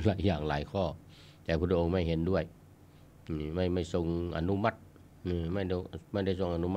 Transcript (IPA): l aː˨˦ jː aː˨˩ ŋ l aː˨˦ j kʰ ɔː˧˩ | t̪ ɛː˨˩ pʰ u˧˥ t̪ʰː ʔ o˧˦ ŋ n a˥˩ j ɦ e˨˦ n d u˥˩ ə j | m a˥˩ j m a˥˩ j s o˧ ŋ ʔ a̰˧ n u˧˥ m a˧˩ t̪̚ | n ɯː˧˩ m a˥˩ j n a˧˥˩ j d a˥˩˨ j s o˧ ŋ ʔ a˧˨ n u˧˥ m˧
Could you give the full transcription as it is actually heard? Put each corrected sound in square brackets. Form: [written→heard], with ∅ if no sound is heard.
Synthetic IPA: l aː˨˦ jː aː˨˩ ŋ l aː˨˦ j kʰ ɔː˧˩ | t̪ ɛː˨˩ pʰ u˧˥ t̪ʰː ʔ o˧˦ ŋ [n→m] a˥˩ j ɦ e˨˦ n d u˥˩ ə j | m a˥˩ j m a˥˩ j s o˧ ŋ ʔ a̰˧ n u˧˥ m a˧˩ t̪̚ | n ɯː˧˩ m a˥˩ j [n→m] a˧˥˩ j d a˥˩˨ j s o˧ ŋ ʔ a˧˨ n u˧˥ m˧